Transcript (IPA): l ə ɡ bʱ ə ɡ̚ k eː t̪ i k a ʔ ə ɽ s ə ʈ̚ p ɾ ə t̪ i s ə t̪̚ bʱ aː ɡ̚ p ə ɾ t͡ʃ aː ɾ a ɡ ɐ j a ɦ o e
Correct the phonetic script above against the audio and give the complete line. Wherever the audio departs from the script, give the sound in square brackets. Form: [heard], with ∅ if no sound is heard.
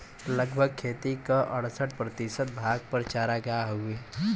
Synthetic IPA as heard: l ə ɡ bʱ ə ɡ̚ [kʰ] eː t̪ i k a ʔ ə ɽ s ə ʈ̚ p ɾ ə t̪ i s ə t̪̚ bʱ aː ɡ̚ p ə ɾ t͡ʃ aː ɾ a ɡ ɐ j a ɦ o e